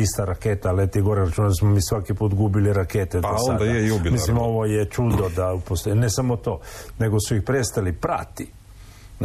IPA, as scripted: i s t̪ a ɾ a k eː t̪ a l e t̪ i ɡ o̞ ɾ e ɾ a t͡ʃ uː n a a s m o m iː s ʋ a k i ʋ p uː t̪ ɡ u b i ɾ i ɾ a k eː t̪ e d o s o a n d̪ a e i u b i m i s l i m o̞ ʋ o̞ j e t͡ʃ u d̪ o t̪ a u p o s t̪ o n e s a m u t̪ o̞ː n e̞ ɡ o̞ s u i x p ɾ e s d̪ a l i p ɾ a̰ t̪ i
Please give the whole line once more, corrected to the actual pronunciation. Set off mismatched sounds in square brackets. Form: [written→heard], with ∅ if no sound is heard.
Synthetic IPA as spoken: i s t̪ a ɾ a k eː t̪ a l e t̪ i ɡ o̞ ɾ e ɾ a t͡ʃ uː n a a s m o m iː s ʋ a k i [ʋ→∅] p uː t̪ ɡ u b i [ɾ→l] i ɾ a k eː t̪ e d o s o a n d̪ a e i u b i m i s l i m o̞ ʋ o̞ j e t͡ʃ u d̪ o [t̪→d̪] a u p o s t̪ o n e s a m [u→o] t̪ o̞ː n e̞ ɡ o̞ s u i x p ɾ e s [d̪→t̪] a l i p ɾ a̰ t̪ i